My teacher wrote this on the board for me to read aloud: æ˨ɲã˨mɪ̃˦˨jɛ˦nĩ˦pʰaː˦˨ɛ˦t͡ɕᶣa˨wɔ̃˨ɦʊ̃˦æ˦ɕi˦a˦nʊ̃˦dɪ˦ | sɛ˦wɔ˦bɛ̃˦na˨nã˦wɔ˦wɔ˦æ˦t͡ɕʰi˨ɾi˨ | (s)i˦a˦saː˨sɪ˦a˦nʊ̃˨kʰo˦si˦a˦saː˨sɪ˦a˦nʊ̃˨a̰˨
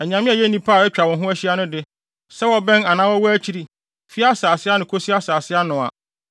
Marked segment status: incorrect: f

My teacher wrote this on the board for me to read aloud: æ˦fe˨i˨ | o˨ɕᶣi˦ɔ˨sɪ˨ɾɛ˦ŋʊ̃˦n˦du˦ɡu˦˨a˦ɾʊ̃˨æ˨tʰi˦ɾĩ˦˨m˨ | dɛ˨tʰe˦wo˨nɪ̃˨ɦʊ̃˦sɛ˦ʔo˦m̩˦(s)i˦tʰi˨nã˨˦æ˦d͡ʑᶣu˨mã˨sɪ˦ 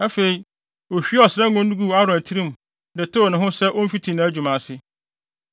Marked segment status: incorrect: f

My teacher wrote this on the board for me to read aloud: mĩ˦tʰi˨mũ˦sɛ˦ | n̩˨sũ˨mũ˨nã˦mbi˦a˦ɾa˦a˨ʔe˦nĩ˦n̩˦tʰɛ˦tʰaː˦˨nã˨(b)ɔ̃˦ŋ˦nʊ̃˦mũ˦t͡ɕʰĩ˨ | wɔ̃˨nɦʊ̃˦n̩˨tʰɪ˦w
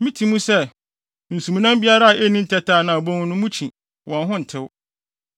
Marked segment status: correct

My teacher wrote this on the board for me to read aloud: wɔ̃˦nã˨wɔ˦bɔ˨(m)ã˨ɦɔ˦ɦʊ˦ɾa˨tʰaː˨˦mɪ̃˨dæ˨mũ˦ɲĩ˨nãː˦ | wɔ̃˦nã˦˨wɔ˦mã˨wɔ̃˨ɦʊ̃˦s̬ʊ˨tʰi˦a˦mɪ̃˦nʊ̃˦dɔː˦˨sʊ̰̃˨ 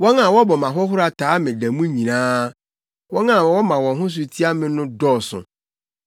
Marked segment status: correct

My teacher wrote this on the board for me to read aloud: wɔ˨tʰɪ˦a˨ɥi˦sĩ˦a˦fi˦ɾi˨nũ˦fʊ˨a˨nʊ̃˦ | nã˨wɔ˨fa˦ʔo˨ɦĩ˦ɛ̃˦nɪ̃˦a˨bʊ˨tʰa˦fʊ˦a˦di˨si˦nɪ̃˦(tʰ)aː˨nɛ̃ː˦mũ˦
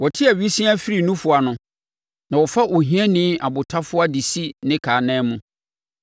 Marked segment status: incorrect: kʰ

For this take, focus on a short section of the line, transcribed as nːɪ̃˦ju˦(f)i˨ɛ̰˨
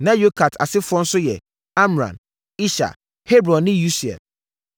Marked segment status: incorrect: s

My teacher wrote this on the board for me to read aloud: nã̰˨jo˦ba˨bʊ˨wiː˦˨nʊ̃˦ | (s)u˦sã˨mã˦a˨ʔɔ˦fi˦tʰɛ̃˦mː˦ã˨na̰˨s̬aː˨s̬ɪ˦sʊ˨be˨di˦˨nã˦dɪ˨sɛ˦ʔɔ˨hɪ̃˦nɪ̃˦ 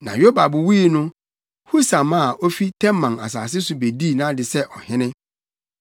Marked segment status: incorrect: h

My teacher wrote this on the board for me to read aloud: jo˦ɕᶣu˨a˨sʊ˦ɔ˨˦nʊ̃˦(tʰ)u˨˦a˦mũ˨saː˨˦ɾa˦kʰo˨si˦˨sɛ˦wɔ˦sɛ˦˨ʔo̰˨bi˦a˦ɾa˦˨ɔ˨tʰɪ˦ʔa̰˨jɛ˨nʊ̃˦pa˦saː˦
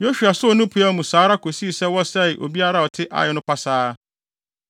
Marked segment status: incorrect: pʰ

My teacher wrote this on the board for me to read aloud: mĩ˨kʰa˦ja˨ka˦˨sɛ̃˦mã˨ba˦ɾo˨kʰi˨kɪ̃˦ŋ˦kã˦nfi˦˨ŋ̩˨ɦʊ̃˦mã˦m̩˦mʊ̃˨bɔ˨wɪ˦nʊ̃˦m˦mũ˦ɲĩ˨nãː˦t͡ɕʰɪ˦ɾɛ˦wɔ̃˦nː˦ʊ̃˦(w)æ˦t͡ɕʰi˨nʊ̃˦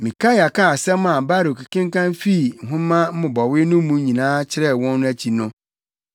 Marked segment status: incorrect: none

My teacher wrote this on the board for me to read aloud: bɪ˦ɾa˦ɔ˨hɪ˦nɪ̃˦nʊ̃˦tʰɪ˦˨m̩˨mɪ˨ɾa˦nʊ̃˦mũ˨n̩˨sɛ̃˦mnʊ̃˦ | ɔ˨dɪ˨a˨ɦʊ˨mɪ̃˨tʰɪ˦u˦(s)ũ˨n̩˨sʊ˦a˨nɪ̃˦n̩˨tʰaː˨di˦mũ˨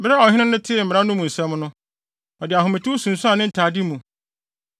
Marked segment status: correct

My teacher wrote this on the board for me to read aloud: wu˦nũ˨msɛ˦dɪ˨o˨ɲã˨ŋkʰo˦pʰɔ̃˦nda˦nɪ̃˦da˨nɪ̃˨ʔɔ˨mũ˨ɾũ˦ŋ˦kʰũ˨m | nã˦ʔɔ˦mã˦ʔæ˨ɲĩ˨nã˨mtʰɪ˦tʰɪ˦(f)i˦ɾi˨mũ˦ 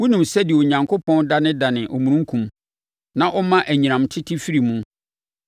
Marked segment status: correct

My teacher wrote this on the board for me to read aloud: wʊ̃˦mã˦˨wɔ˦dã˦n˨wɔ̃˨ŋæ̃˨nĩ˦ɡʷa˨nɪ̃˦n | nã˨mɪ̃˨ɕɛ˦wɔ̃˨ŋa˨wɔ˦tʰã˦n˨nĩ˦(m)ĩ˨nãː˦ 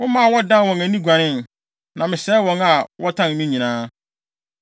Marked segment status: incorrect: ɲ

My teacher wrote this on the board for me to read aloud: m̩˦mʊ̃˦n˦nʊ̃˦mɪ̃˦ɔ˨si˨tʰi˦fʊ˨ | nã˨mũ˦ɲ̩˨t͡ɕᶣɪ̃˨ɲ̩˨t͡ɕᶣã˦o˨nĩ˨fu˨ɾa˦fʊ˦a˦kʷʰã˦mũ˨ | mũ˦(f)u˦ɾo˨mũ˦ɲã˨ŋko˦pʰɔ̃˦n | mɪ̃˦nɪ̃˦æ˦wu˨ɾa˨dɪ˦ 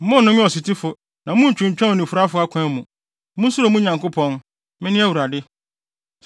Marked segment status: incorrect: s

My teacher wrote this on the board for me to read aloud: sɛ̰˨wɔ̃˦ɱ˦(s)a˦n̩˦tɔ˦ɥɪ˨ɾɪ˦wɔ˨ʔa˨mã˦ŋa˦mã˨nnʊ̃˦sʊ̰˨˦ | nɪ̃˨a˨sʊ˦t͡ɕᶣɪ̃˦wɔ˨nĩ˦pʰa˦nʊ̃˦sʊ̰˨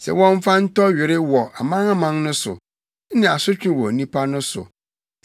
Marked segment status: incorrect: f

